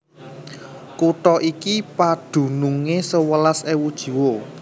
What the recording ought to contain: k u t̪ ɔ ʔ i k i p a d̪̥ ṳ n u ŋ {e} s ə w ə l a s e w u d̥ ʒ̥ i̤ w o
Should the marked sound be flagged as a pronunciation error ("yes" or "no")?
no